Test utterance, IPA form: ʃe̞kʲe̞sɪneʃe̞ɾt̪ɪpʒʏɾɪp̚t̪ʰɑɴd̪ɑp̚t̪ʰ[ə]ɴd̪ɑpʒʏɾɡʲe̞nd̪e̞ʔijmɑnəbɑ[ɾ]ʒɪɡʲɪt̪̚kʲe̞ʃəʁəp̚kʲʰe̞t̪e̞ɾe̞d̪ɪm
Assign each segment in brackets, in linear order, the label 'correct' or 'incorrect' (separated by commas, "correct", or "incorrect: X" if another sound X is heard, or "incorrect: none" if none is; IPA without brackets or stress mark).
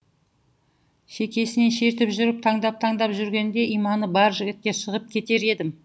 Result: incorrect: ɑ, correct